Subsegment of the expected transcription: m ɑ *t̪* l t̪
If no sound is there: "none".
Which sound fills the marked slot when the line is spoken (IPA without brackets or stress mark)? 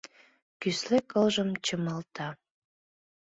none